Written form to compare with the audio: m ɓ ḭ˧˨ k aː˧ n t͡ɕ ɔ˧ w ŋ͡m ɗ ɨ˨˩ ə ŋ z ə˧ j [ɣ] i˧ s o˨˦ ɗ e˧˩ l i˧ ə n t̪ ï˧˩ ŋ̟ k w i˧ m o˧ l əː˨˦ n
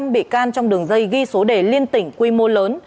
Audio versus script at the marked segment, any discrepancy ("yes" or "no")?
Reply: no